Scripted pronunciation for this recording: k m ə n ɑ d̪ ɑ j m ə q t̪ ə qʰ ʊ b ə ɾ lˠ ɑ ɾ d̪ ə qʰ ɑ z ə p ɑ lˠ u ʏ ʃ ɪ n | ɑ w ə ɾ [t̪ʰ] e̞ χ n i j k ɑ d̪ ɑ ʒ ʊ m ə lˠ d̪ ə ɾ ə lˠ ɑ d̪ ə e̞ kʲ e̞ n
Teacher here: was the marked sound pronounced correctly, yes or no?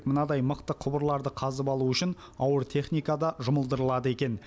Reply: yes